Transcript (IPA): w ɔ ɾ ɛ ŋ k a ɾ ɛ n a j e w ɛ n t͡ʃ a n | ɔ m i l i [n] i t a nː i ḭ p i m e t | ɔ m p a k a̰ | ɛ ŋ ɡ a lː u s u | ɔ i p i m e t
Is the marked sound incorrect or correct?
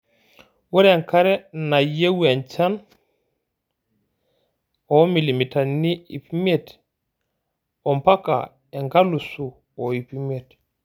incorrect